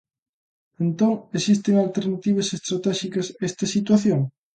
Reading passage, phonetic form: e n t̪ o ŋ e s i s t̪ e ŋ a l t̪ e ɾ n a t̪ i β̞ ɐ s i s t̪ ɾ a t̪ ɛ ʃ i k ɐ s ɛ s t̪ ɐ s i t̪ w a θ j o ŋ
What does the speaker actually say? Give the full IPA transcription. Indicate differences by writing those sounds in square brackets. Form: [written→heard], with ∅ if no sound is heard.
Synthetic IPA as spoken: e n t̪ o ŋ e s i s t̪ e ŋ a l t̪ e ɾ n a t̪ i β̞ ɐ s [i→e] s t̪ ɾ a t̪ ɛ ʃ i k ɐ s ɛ s t̪ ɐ s i t̪ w a θ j o ŋ